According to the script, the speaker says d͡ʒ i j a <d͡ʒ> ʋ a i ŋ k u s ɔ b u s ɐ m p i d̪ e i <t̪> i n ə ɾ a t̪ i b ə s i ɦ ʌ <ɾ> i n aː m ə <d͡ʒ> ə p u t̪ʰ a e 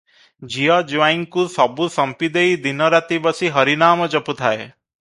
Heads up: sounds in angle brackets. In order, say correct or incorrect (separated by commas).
correct, incorrect, correct, correct